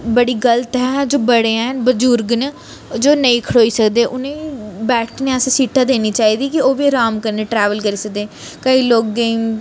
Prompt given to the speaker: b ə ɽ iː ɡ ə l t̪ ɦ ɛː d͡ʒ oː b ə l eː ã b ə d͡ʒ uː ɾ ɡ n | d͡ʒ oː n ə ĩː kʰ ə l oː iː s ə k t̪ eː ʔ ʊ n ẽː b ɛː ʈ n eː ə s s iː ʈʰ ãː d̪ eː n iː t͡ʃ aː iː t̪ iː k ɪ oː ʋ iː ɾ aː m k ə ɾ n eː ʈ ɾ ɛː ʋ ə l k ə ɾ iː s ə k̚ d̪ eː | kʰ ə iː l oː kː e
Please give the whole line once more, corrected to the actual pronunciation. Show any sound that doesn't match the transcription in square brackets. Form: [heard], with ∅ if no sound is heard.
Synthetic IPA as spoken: b ə ɽ iː ɡ ə l t̪ ɦ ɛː d͡ʒ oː b ə [ɽ] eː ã b ə d͡ʒ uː ɾ ɡ n | d͡ʒ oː n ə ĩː kʰ ə [ɽ] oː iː s ə k [d̪] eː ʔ ʊ n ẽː b ɛː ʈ n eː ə s s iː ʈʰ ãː d̪ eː n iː t͡ʃ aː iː [d̪] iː k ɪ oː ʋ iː ɾ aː m k ə ɾ n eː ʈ ɾ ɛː ʋ ə l k ə ɾ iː s ə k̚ d̪ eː | [k] ə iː l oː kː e